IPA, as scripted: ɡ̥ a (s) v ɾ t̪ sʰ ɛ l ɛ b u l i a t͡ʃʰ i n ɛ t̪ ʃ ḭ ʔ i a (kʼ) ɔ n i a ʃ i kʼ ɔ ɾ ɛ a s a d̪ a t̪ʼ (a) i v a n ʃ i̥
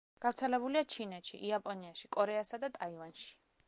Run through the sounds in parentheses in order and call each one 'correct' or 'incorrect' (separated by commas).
incorrect, incorrect, correct